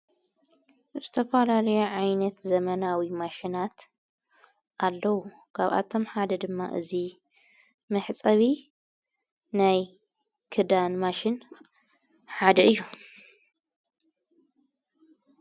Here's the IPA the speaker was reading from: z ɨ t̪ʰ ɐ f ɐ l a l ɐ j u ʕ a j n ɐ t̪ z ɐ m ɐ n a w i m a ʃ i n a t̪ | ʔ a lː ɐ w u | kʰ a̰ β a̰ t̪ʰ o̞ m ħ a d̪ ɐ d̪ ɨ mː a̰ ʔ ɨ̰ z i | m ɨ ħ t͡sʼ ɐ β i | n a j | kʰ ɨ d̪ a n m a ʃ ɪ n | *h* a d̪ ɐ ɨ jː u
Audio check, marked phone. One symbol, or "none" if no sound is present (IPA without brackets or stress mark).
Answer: ħ